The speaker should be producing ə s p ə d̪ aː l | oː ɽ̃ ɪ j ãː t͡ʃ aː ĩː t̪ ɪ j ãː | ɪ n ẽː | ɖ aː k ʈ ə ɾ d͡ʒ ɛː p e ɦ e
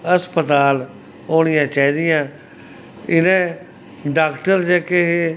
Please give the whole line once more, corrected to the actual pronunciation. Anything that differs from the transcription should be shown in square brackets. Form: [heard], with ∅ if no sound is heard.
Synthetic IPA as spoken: ə s p ə [t̪] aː l | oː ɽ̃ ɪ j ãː t͡ʃ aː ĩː [d̪] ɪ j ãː | ɪ n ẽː | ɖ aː k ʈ ə ɾ d͡ʒ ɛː [k] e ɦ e